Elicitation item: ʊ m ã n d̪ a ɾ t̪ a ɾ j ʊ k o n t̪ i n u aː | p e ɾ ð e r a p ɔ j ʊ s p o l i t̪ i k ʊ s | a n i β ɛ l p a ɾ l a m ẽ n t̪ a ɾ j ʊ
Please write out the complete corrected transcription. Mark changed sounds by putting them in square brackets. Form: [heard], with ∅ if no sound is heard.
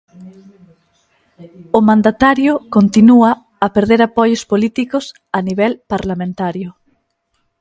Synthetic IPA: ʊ m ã n d̪ a [∅] t̪ a ɾ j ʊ k o n t̪ i n u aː | p e ɾ ð e [ɾ] a p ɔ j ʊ s p o l i t̪ i k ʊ s | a n i β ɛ l p a ɾ l a m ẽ n t̪ a ɾ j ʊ